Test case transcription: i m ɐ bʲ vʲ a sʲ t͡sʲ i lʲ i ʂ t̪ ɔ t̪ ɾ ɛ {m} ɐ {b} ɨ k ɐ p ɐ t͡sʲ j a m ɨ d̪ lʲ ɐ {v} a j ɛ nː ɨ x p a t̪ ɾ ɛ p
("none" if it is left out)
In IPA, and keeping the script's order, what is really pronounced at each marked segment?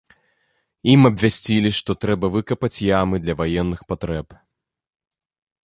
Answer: b, v, v

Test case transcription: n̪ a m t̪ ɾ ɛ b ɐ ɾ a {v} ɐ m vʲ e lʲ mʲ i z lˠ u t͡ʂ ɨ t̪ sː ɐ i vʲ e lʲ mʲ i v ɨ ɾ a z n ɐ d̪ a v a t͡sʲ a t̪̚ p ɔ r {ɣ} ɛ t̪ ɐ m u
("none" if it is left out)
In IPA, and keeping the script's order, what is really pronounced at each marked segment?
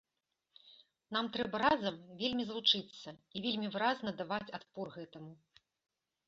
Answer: z, ɣ

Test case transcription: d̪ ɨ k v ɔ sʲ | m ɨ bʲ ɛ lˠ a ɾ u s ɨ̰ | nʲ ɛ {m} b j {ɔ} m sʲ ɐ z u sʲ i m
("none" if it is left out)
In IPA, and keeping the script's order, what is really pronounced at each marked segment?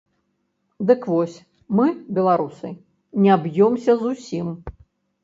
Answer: none, ɔ

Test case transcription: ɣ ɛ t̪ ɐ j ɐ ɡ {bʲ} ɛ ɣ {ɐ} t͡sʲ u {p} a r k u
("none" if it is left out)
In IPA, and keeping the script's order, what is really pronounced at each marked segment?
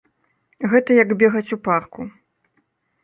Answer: bʲ, ɐ, p

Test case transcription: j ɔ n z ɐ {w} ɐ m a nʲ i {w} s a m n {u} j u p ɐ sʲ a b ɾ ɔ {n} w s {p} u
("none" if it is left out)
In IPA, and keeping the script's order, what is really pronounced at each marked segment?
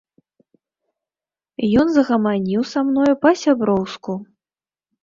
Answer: ɣ, w, ɔ, none, k

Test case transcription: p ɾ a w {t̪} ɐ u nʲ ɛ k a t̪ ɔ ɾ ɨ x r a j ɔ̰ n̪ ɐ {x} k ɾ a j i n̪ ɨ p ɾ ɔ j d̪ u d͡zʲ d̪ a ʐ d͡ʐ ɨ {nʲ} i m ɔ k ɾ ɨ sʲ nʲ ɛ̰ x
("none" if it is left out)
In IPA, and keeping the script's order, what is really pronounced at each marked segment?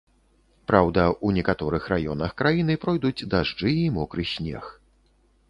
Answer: d̪, x, none

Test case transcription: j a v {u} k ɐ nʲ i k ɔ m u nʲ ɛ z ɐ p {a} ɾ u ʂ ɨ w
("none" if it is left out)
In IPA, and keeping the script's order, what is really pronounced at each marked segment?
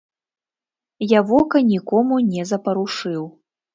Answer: ɔ, ɐ

